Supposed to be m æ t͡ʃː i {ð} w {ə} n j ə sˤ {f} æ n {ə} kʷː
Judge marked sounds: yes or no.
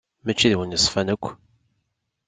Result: yes, yes, yes, yes

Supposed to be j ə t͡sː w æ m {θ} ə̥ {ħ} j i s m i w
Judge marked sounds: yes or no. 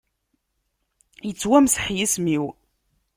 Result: no, yes

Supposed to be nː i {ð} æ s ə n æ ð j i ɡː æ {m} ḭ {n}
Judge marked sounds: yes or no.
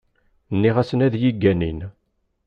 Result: no, no, yes

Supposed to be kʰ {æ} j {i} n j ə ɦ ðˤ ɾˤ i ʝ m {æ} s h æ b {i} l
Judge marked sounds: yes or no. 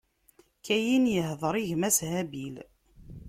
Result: yes, yes, yes, yes

